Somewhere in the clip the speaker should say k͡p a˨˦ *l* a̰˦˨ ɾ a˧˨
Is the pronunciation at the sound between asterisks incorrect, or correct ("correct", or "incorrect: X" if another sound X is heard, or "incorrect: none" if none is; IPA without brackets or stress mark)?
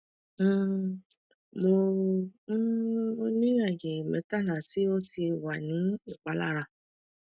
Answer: correct